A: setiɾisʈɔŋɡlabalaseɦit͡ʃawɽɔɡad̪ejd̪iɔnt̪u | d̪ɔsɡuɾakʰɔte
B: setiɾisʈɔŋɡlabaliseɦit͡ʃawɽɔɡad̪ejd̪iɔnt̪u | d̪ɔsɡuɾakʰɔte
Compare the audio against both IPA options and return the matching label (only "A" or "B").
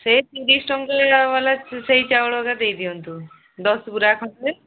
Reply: A